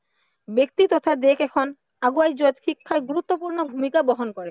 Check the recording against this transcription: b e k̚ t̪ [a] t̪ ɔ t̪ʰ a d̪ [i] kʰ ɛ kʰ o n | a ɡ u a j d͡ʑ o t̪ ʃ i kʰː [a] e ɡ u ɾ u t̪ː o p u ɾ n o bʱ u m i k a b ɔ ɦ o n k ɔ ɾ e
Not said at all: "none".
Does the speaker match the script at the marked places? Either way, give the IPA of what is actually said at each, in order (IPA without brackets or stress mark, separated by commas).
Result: i, e, a